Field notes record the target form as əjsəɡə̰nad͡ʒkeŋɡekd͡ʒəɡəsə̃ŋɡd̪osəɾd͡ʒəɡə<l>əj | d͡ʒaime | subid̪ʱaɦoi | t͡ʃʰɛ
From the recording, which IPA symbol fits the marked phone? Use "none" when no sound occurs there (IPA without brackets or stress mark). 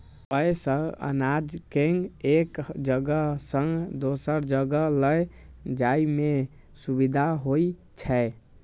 l